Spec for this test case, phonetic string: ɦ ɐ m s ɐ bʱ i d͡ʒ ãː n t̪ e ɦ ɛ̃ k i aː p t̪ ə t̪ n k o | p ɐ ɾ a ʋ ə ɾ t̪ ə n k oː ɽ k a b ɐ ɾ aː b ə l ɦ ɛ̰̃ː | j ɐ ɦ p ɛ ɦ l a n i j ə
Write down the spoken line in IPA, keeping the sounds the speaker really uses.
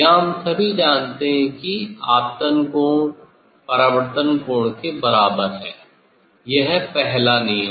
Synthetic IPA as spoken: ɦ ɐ m s ɐ bʱ i d͡ʒ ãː n t̪ e ɦ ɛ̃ k i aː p t̪ ə n k o | p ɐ ɾ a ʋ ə ɾ t̪ ə n k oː ɽ k e b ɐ ɾ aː b ə ɾ ɦ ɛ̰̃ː | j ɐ ɦ p ɛ ɦ l a n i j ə